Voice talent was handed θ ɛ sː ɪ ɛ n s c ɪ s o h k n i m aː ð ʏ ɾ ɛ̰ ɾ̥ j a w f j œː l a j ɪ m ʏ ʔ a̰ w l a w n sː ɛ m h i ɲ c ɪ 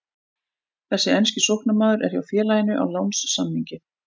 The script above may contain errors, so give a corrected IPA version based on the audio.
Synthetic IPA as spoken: θ ɛ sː ɪ ɛ n s c ɪ s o h k n a m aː ð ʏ ɾ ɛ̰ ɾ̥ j a w f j ɛː l a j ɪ n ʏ ʔ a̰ w l a w n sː a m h i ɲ c ɪ